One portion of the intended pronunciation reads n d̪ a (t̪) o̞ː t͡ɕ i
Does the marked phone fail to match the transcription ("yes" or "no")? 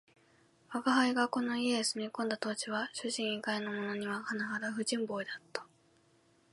no